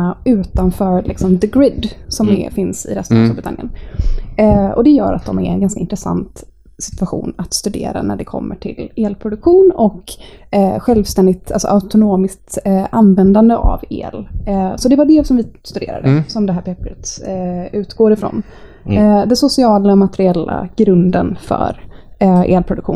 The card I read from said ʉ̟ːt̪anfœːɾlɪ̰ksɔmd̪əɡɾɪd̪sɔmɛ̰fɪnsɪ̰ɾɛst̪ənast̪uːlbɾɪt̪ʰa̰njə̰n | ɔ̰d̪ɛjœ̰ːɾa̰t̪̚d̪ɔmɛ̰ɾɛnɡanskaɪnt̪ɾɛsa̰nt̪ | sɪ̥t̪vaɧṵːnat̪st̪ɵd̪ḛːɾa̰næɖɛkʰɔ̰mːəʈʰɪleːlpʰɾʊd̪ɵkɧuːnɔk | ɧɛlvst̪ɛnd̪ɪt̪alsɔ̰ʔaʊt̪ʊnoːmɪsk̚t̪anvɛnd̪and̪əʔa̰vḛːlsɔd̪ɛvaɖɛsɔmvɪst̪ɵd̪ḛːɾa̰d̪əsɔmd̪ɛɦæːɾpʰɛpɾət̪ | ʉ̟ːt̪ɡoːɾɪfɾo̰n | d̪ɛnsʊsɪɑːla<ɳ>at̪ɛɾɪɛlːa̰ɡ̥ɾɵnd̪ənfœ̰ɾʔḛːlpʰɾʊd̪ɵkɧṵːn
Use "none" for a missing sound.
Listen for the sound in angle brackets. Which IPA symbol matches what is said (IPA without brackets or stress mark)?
m